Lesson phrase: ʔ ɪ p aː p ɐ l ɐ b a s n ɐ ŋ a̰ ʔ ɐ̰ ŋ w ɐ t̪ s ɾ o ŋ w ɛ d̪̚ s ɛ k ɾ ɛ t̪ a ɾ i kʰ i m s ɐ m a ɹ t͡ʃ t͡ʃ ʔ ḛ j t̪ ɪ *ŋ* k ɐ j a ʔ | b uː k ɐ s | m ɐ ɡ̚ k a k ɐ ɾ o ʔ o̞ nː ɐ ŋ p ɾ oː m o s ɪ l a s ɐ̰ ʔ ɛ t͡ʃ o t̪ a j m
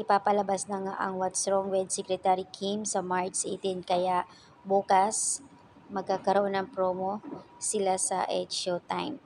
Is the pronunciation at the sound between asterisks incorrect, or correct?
incorrect